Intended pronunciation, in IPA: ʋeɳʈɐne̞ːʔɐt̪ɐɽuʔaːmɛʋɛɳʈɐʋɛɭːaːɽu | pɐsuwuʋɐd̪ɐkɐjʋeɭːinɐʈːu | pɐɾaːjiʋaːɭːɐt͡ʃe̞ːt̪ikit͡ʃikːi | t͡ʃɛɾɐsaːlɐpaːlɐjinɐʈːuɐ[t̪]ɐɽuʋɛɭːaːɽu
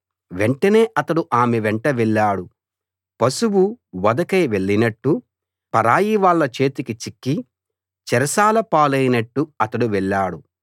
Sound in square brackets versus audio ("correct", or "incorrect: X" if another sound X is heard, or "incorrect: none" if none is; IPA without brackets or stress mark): correct